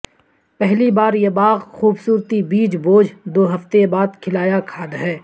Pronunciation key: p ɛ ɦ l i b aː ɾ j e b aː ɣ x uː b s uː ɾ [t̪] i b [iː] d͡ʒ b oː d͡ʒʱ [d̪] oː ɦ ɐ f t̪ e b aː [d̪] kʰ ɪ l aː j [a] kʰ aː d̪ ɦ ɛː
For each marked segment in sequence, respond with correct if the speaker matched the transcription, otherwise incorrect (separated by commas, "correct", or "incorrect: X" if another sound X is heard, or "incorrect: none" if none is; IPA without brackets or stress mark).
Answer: correct, correct, correct, correct, correct